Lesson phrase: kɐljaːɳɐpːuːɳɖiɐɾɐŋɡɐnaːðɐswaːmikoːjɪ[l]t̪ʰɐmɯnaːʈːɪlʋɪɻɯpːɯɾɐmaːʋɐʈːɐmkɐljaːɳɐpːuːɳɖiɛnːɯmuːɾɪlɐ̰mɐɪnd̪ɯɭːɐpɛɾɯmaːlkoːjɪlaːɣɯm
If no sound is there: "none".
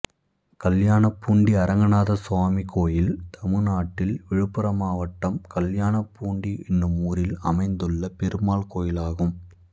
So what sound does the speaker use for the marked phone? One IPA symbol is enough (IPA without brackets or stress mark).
l